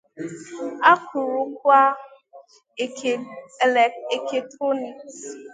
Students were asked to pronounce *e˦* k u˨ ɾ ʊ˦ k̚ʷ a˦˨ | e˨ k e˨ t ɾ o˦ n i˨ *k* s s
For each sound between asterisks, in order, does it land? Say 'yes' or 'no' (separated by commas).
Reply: no, yes